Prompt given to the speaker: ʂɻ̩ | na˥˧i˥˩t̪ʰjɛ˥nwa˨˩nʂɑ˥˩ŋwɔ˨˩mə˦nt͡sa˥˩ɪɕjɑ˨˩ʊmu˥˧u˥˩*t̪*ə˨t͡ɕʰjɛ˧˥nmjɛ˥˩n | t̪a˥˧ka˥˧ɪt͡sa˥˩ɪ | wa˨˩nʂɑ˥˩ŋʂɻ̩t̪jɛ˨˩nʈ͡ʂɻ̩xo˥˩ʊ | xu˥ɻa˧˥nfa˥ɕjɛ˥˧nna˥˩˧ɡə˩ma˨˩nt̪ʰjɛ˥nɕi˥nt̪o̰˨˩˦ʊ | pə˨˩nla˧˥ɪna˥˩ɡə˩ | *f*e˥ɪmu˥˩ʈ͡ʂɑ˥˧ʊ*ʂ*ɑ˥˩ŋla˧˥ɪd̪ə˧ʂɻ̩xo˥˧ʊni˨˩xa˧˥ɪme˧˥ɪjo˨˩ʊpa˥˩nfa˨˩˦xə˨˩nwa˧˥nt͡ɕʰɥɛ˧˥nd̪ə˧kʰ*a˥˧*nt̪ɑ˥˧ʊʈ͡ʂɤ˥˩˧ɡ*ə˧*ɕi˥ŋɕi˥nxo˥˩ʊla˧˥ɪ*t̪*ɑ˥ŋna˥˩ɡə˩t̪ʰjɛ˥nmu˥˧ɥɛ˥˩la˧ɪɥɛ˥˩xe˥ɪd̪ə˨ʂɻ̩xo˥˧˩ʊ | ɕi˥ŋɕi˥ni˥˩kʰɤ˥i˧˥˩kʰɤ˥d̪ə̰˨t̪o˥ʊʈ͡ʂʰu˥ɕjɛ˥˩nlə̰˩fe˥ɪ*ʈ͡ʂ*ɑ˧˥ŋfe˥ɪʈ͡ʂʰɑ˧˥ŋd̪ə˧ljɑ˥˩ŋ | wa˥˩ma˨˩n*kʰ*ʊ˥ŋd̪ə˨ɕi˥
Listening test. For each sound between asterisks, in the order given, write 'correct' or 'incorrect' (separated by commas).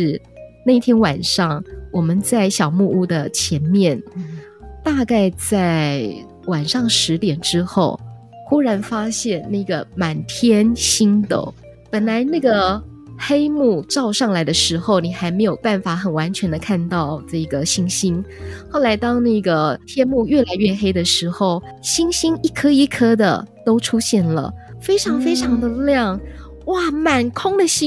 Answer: incorrect, incorrect, correct, correct, incorrect, correct, incorrect, correct